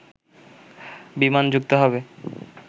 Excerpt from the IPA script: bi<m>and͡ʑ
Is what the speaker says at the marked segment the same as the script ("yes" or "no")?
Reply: yes